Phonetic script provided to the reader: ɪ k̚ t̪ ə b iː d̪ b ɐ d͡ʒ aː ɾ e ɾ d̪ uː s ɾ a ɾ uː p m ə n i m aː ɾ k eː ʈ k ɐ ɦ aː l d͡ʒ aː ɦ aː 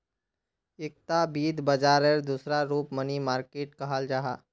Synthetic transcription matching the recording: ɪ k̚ t̪ a b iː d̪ b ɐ d͡ʒ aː ɾ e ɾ d̪ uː s ɾ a ɾ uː p m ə n i m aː ɾ k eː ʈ k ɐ ɦ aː l d͡ʒ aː ɦ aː